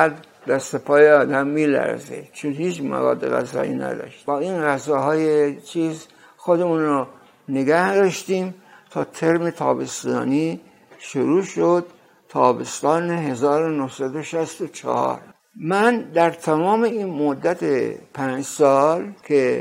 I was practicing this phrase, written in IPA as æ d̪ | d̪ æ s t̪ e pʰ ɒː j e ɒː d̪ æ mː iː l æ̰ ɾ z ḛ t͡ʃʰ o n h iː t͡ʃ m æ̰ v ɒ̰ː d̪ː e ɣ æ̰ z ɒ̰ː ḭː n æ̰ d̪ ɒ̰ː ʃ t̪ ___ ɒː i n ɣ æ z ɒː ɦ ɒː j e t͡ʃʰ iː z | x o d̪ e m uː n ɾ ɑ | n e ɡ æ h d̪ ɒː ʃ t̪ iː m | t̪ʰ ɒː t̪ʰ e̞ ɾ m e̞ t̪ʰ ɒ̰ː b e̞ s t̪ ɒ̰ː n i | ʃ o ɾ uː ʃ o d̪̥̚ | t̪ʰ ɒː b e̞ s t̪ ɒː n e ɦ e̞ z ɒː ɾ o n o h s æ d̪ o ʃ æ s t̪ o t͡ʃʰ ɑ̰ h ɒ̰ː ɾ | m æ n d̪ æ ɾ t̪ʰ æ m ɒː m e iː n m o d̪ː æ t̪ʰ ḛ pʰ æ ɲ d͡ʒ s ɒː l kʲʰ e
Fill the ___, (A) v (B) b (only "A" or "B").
B